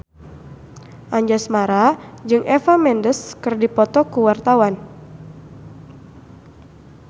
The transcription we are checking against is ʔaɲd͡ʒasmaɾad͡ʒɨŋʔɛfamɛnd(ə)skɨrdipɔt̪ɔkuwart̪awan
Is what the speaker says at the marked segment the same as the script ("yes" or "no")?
yes